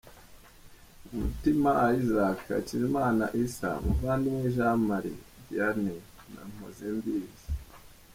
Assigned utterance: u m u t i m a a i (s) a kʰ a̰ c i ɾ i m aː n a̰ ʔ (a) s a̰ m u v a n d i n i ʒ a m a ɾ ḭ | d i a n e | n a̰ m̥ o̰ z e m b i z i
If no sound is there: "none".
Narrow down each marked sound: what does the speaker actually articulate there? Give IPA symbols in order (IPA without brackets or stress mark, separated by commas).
z, i